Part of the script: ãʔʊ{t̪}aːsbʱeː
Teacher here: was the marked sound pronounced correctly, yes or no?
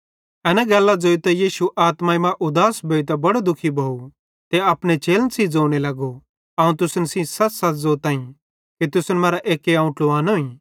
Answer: no